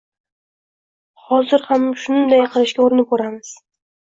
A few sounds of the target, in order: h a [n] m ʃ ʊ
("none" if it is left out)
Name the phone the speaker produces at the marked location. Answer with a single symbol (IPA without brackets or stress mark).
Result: none